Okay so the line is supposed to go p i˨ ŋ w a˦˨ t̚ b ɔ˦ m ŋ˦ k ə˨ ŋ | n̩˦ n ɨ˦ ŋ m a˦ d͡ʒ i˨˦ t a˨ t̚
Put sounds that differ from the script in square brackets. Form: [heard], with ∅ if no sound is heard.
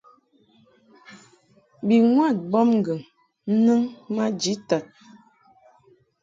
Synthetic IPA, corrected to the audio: [b] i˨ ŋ w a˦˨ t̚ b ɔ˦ m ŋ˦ [ɡ] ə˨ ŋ | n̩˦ n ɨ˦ ŋ m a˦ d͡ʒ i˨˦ t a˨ t̚